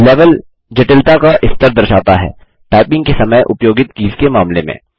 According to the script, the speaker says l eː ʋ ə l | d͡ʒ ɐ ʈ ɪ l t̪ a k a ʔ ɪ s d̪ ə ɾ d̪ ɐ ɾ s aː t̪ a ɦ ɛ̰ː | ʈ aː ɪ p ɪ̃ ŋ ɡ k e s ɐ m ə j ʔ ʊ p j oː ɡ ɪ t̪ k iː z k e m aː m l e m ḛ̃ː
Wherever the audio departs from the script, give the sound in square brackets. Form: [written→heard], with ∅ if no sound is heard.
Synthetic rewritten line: l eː ʋ ə l | d͡ʒ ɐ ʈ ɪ l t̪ a k a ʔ ɪ s [d̪→t̪] ə ɾ d̪ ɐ ɾ [s→ʃ] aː t̪ a ɦ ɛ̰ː | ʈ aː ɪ p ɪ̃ ŋ ɡ k e s ɐ m ə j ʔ ʊ p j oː ɡ ɪ t̪ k iː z k e m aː m l e m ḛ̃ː

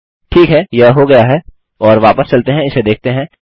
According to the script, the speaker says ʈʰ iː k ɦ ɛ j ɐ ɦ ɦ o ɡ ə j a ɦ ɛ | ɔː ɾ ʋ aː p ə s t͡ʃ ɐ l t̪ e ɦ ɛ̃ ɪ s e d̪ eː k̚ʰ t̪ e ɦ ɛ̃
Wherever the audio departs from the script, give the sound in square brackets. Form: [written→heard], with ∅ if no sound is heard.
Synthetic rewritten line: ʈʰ iː k ɦ ɛ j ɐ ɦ ɦ o ɡ [ə→ɐ] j a ɦ ɛ | ɔː ɾ ʋ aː p ə s t͡ʃ ɐ l t̪ e ɦ ɛ̃ ɪ s e d̪ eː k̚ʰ t̪ e ɦ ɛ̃

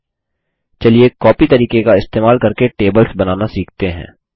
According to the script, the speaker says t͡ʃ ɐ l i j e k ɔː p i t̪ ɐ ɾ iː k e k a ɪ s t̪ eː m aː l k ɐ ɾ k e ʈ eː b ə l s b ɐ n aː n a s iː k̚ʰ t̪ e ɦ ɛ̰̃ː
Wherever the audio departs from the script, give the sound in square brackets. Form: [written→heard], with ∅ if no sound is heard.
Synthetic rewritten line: t͡ʃ ɐ l i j e k ɔː p i t̪ ɐ ɾ iː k e k a ɪ s t̪ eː m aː l k ɐ ɾ k e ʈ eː b ə l s b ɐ n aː n a s iː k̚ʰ t̪ e ɦ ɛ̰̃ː

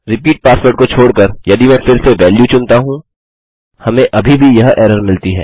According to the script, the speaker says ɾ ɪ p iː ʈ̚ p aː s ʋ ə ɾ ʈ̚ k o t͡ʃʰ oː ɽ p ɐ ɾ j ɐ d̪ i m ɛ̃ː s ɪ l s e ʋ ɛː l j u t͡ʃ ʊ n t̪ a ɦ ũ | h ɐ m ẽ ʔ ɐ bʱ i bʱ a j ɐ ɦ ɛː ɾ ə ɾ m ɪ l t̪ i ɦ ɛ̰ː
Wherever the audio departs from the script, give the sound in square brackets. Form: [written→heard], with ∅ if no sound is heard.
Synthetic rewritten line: ɾ ɪ p iː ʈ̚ p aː s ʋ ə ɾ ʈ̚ k o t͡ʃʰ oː ɽ [p→k] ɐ ɾ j ɐ d̪ i m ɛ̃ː [s→f] ɪ [l→ɾ] s e ʋ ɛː l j u t͡ʃ ʊ n t̪ a ɦ ũ | h ɐ m ẽ ʔ ɐ bʱ i bʱ [a→i] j ɐ ɦ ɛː ɾ ə ɾ m ɪ l t̪ i ɦ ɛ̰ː

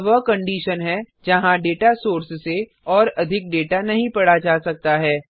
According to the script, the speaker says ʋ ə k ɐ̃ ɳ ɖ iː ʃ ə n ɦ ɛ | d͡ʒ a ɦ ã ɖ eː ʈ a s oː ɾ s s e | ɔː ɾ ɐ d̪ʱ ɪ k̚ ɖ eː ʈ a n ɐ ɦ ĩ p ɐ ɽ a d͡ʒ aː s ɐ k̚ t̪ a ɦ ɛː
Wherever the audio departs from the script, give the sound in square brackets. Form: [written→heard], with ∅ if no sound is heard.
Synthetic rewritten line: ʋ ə k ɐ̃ ɳ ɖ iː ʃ ə n ɦ ɛ | d͡ʒ [a→ɐ] ɦ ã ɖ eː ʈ a s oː ɾ s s e | ɔː ɾ ɐ d̪ʱ ɪ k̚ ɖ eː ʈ a n ɐ ɦ ĩ p ɐ ɽ a d͡ʒ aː s ɐ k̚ t̪ a ɦ ɛː

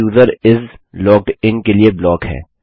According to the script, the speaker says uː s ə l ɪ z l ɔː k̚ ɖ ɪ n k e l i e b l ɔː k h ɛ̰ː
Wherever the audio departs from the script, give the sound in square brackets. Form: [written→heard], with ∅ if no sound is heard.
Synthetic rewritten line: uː [s→z] ə [l→ɾ] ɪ z l ɔː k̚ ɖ ɪ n k e l i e b l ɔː k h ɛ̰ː

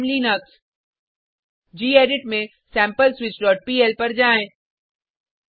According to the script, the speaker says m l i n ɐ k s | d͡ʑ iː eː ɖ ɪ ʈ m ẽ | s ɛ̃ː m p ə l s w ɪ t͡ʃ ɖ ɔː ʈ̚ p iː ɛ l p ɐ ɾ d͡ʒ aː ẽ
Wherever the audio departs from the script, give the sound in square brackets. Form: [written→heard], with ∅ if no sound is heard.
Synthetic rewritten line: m l i n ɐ k s | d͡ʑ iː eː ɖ ɪ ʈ m ẽ | s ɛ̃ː m p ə l s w ɪ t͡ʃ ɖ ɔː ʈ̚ p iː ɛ l p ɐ ɾ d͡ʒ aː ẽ

